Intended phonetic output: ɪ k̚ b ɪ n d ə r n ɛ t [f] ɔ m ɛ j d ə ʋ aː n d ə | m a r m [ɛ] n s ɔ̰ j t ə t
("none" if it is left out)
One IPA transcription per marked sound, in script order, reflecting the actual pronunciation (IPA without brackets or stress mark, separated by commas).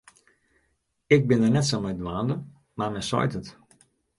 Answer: s, ɛ